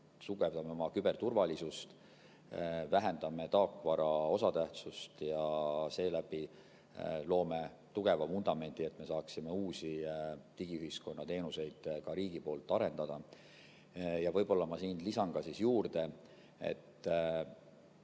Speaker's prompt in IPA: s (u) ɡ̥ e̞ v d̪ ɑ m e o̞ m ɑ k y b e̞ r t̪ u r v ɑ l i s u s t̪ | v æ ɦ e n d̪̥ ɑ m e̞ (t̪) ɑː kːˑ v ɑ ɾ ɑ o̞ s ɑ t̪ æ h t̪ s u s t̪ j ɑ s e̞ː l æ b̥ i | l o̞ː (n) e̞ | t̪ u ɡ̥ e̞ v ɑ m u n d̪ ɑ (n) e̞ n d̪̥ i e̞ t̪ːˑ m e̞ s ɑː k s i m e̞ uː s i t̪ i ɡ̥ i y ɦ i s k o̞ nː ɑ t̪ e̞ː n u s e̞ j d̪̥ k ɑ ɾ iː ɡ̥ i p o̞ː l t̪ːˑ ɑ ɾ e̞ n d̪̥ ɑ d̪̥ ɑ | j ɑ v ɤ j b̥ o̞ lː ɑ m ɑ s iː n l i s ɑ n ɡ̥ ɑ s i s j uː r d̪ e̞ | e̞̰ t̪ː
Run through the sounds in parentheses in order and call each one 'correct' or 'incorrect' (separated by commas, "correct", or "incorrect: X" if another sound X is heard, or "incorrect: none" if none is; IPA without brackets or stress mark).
correct, correct, incorrect: m, incorrect: m